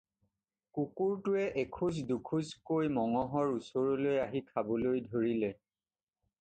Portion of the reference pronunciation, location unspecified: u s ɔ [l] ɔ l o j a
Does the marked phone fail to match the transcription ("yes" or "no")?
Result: yes